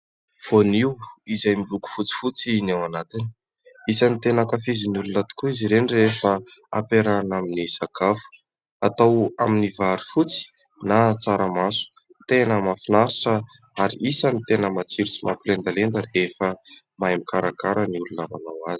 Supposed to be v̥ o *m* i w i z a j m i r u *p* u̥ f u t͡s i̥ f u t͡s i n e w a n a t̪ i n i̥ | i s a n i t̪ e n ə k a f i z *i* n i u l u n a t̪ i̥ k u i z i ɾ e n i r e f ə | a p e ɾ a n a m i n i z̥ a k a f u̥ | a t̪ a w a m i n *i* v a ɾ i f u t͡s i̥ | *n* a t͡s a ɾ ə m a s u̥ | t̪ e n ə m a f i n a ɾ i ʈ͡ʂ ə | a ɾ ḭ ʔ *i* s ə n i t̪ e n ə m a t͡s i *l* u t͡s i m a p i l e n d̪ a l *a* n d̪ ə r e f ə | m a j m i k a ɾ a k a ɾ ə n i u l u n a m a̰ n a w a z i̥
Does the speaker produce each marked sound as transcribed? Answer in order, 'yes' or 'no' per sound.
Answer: no, no, yes, yes, yes, yes, no, no

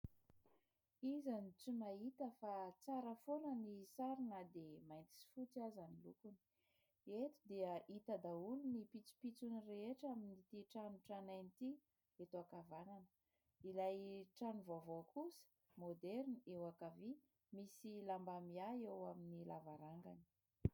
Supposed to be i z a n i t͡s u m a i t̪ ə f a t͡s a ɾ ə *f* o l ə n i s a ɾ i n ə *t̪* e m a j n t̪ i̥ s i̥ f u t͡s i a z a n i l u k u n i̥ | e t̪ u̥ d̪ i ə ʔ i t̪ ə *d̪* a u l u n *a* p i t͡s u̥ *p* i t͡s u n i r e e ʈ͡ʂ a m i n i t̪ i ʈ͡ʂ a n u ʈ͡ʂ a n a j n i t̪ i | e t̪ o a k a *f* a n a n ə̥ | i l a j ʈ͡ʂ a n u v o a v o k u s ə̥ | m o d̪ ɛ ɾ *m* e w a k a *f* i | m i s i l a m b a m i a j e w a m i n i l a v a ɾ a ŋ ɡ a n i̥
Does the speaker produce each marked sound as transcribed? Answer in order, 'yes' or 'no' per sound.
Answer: yes, no, yes, no, yes, no, no, no

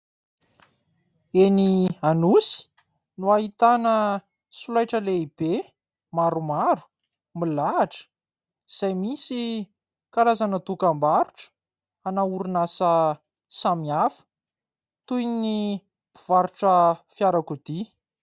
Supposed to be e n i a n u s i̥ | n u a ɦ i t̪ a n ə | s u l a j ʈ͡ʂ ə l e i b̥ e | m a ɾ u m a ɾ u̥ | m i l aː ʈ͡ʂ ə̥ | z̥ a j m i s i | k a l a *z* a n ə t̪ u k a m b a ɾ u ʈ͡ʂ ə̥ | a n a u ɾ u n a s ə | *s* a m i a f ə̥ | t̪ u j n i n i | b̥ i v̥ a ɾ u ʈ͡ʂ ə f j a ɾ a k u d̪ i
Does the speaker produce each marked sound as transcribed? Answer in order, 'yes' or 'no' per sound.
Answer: yes, yes

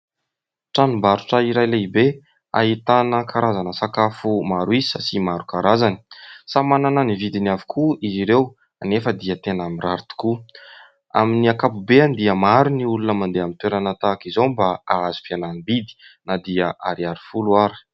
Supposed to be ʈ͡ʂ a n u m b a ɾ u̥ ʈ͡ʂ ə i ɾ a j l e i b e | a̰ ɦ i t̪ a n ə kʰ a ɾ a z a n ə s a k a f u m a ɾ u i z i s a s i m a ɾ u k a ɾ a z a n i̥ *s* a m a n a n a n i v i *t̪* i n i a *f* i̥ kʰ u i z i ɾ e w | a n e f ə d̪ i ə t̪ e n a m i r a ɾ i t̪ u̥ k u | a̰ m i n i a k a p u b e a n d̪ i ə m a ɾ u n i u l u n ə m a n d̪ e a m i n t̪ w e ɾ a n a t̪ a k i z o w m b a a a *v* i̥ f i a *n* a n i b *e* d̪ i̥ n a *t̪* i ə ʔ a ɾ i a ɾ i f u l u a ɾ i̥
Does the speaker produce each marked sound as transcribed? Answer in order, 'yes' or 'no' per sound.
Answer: yes, no, no, no, yes, no, no

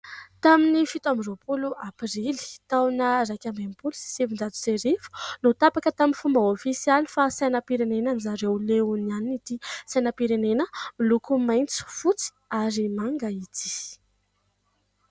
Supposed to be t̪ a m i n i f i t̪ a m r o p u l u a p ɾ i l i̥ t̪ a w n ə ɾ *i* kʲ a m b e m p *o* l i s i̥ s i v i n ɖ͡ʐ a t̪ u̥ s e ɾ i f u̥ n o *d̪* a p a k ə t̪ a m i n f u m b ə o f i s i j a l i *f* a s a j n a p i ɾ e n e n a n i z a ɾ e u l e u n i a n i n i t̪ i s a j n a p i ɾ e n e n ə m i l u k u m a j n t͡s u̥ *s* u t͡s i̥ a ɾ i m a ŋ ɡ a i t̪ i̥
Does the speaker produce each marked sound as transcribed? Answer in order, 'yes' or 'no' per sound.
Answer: no, no, no, yes, no

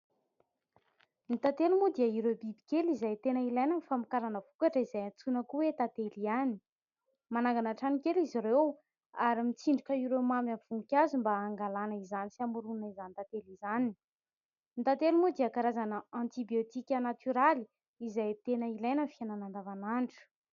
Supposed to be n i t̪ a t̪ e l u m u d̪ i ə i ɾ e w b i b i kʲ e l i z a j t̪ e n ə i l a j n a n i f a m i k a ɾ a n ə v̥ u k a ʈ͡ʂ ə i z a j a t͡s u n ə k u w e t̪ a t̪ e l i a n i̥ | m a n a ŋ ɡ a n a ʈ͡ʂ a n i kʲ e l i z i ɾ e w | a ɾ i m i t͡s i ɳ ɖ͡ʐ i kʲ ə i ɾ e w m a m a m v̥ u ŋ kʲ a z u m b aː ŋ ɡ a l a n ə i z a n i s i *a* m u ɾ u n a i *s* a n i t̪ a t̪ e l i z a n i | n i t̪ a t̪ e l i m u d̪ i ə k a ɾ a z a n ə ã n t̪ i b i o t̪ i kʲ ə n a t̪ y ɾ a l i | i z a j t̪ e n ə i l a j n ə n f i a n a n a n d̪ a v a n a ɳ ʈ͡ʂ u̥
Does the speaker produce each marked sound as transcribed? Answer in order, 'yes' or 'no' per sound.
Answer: yes, no

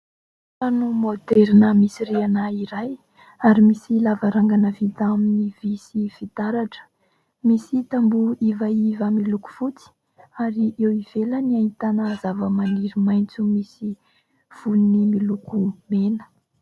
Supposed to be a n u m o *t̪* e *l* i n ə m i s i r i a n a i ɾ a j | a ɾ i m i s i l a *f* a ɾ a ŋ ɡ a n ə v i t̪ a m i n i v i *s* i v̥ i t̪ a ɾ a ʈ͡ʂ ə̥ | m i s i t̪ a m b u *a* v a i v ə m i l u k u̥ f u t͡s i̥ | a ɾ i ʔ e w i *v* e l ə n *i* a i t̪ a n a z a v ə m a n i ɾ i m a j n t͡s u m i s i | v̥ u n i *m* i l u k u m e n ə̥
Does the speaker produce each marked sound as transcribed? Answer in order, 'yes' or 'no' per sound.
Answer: no, no, no, yes, no, yes, yes, yes

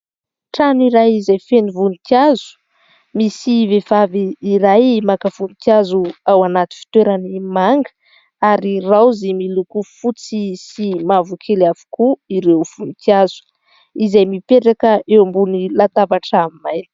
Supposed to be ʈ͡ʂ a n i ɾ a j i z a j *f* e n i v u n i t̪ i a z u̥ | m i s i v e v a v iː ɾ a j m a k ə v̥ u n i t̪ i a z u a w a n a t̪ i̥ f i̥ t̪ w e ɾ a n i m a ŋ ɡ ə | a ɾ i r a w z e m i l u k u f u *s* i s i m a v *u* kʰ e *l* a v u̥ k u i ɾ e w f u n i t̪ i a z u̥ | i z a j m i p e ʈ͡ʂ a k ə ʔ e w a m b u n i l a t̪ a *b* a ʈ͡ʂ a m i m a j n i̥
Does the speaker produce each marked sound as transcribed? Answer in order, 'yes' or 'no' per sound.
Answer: yes, no, yes, yes, no

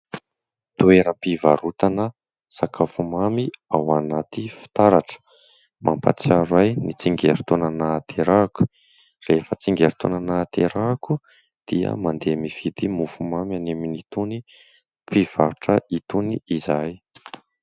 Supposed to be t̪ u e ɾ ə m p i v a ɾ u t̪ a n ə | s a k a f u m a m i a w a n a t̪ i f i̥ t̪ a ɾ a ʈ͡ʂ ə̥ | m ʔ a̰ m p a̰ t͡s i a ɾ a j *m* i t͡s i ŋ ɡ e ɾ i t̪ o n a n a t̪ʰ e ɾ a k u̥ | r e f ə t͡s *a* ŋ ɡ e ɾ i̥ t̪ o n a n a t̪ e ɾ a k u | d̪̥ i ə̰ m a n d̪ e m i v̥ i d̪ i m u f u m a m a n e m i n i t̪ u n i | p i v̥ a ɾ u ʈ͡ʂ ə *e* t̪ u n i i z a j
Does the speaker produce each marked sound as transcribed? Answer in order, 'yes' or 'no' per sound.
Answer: no, no, no

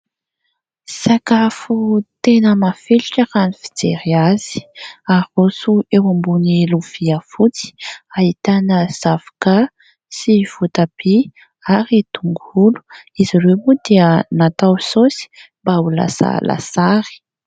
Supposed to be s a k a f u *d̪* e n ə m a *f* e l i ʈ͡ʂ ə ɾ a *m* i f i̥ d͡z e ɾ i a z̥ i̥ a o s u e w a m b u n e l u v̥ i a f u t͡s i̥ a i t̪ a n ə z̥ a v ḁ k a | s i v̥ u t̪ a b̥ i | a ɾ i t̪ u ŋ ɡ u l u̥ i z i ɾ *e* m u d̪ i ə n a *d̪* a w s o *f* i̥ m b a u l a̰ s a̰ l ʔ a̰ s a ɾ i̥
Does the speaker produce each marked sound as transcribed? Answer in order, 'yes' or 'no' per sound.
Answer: no, yes, no, yes, no, no

